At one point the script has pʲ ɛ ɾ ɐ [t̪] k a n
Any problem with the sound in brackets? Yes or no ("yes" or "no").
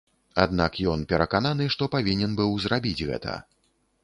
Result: yes